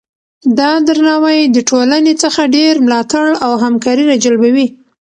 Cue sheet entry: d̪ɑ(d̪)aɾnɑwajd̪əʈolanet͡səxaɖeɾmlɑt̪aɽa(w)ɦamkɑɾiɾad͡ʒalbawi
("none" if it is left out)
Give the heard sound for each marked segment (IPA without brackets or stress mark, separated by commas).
d̪, w